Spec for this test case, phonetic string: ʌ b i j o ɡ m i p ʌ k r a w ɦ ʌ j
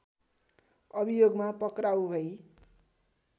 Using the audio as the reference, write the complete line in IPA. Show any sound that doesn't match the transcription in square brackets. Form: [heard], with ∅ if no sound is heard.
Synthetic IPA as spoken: ʌ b i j o ɡ m [a] p ʌ k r a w ɦ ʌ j

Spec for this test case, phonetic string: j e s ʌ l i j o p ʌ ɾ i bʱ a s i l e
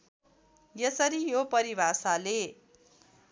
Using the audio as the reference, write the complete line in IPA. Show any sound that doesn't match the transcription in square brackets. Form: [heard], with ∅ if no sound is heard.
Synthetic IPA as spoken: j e s ʌ [ɾ] i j o p ʌ ɾ i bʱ a s [a] l e

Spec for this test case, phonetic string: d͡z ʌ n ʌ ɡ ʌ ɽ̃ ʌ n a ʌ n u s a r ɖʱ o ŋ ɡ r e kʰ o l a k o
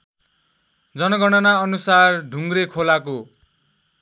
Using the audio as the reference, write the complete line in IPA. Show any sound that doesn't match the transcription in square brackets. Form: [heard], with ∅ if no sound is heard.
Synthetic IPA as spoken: d͡z ʌ n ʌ ɡ ʌ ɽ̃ ʌ n a ʌ n u s a r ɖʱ [u] ŋ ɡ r e kʰ o l a k o

